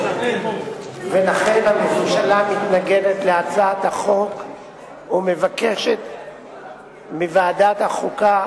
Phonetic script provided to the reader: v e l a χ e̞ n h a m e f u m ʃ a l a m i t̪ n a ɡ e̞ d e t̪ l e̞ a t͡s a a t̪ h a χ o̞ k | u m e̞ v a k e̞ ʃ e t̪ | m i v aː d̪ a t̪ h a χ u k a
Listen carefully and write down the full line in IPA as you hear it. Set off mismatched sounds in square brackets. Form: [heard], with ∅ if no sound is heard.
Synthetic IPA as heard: v e l a χ e̞ n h a m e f u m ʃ a l a m i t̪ n a ɡ e̞ d e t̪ l e̞ a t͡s a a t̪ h a χ o̞ k | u m e̞ v a k e̞ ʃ e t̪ | m i v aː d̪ a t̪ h a χ u k a